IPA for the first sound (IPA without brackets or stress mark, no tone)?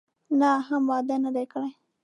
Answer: n